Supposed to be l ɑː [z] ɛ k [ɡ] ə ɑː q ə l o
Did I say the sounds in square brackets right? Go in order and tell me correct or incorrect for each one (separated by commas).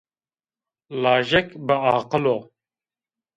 incorrect, incorrect